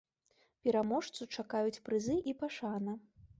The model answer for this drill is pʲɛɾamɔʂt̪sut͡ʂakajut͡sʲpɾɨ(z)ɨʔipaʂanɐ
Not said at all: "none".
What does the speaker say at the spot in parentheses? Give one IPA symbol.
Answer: z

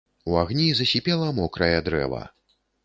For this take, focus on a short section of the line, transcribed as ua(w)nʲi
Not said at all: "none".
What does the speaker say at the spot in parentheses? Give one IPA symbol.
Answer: ɣ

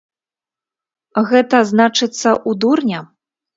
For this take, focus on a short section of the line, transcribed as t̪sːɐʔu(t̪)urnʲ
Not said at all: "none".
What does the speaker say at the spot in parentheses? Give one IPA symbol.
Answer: d̪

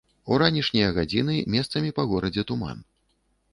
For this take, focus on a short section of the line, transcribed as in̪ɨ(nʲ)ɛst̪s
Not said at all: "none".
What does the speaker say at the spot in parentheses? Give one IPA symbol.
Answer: mʲ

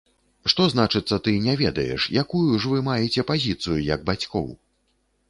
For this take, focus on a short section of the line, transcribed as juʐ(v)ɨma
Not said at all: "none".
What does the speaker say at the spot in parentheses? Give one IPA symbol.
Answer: v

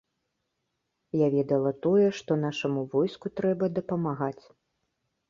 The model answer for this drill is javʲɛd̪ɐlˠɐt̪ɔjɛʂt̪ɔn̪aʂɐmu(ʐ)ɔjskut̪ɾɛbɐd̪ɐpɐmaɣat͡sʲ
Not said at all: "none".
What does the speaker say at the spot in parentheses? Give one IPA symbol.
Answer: v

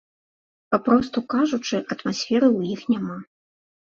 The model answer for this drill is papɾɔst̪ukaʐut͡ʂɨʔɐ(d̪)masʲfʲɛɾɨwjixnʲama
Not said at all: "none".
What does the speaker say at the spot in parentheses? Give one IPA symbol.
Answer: t̪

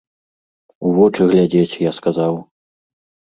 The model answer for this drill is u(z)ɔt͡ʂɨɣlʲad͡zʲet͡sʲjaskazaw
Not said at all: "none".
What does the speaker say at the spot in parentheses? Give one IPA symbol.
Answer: v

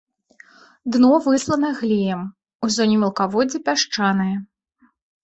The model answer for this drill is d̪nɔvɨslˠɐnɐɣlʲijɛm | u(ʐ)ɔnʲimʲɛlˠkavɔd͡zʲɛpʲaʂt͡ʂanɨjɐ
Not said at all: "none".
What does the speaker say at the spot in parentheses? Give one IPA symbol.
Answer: z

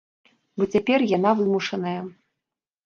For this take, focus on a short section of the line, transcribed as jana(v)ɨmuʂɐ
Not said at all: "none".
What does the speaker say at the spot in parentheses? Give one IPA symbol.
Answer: v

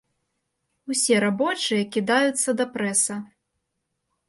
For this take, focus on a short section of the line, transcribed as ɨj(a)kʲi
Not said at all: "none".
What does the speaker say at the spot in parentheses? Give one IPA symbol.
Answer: ɐ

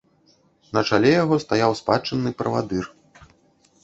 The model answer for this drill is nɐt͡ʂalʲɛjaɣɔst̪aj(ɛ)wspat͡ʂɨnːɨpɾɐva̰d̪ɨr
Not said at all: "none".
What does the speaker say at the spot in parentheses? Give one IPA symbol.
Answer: a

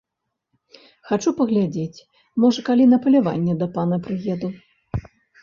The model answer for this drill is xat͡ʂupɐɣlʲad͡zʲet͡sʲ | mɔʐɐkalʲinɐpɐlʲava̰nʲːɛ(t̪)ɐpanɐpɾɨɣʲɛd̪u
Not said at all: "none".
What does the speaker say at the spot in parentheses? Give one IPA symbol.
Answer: d̪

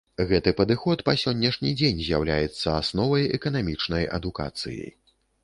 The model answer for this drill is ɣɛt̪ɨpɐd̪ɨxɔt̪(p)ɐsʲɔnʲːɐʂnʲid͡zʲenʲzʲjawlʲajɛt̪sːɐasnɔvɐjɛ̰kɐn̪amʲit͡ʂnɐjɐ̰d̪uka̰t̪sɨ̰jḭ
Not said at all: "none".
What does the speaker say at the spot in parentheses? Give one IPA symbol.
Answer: p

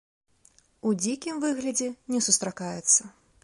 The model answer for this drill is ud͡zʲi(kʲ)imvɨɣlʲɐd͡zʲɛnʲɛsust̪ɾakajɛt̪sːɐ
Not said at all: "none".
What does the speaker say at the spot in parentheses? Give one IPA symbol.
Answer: kʲ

